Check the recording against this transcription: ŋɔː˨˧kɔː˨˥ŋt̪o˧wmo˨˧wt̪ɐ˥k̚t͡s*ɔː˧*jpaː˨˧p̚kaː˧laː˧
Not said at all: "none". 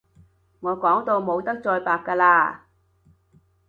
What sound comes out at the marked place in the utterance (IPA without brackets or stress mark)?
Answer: ɔː˧